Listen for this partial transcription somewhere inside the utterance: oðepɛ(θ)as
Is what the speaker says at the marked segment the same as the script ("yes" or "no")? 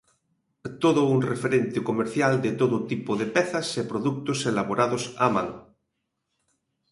yes